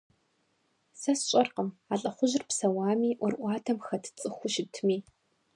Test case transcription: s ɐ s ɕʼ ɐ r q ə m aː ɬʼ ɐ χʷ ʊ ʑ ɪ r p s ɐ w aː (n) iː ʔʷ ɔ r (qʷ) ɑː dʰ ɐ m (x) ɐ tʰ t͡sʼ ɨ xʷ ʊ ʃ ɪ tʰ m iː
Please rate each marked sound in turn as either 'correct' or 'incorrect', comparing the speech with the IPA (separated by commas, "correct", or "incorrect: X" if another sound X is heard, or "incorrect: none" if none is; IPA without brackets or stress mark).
incorrect: m, incorrect: ʔʷ, correct